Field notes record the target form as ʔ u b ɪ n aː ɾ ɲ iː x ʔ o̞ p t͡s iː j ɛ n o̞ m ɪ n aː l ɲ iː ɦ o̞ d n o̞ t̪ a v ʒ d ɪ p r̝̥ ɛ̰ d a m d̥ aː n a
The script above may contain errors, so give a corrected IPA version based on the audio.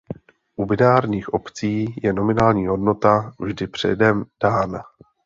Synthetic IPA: ʔ u b ɪ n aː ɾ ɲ iː x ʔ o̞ p t͡s iː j ɛ n o̞ m ɪ n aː l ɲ iː ɦ o̞ d n o̞ t̪ a v ʒ d ɪ p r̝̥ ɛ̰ d ɛ m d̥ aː n a